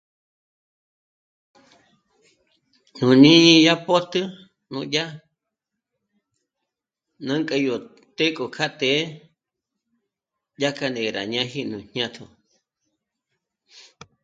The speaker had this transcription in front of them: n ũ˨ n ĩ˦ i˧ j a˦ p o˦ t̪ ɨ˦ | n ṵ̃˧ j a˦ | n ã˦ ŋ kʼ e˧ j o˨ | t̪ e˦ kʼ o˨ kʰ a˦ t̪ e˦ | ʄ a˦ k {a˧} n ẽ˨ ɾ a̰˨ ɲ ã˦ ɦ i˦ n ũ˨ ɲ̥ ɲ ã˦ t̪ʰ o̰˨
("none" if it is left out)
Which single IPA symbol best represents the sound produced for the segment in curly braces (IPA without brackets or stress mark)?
a˧